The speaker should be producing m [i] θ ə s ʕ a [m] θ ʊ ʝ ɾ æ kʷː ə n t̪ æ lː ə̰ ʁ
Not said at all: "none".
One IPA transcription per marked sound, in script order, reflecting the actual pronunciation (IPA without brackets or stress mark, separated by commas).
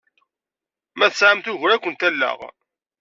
æ, m